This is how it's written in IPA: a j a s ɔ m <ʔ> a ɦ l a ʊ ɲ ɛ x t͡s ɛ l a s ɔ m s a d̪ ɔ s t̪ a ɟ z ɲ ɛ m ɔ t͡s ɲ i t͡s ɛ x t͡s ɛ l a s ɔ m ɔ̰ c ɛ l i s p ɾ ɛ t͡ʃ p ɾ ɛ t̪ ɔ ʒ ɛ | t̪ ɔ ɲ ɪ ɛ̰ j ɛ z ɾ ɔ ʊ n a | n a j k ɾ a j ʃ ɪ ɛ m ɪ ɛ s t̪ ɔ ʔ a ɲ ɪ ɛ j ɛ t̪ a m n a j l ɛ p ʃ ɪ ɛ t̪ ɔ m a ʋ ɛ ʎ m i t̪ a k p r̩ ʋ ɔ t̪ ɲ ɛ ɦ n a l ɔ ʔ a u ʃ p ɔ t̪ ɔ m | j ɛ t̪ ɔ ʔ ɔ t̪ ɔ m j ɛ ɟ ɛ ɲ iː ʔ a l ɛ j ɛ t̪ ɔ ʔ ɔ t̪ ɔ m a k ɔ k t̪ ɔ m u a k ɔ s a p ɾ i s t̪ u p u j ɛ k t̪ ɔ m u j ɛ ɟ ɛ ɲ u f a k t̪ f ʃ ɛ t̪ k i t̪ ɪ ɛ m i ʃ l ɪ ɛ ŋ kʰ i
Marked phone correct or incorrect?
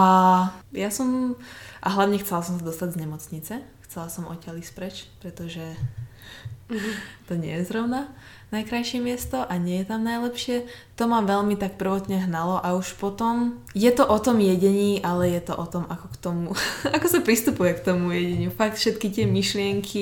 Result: correct